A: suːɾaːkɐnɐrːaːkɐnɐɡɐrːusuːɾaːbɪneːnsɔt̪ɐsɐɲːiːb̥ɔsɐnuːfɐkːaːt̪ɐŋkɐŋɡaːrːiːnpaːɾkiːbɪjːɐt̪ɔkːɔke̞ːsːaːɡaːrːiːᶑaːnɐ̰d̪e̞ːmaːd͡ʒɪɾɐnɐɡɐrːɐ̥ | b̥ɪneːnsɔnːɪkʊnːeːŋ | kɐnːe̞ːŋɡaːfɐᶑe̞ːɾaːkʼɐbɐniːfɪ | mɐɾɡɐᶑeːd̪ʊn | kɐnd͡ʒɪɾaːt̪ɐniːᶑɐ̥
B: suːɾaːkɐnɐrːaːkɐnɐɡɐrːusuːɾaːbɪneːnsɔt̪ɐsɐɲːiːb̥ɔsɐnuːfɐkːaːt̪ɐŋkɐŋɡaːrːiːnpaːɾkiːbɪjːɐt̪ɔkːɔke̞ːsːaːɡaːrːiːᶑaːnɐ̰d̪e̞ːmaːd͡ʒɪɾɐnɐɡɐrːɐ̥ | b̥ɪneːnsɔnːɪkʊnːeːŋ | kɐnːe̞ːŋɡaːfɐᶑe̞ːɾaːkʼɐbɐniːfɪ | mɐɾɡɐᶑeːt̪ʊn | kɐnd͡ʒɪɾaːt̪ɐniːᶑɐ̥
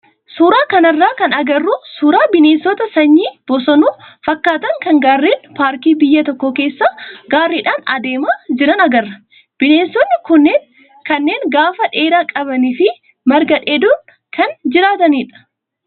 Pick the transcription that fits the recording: A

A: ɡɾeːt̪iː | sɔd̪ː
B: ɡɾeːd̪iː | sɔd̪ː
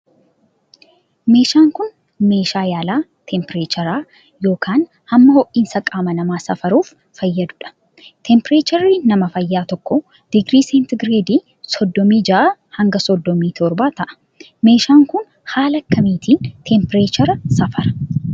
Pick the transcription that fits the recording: B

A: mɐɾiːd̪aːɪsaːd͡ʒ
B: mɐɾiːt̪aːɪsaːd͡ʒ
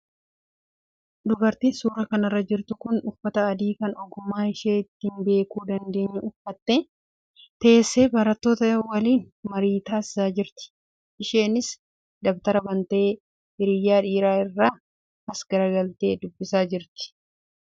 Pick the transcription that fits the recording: B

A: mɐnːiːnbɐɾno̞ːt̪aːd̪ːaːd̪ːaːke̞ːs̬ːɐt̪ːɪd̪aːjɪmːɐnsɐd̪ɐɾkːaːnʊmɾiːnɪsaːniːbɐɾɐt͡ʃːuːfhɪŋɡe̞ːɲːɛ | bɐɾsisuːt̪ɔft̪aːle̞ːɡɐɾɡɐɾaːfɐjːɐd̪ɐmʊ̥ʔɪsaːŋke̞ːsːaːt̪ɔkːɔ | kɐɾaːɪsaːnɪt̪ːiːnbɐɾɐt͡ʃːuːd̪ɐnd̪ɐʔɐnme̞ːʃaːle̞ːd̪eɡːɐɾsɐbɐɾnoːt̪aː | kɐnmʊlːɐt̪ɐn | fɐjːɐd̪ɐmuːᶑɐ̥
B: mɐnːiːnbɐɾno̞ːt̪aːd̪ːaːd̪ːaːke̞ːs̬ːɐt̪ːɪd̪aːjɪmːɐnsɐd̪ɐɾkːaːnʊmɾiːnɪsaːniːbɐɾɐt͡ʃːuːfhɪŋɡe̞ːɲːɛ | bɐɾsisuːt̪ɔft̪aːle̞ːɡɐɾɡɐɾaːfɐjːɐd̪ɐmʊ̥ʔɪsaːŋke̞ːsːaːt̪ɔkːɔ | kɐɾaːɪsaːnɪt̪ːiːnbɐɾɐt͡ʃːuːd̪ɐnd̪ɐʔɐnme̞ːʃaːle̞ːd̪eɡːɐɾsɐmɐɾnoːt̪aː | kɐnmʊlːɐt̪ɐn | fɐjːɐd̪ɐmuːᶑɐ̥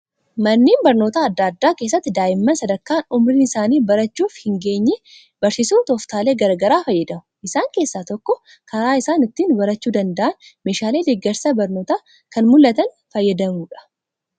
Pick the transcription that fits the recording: A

